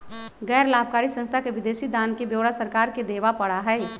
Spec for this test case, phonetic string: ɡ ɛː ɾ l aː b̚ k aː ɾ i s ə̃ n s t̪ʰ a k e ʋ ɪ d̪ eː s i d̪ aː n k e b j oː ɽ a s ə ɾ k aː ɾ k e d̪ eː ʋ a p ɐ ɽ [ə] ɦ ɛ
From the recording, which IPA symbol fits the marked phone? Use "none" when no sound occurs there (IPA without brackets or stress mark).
a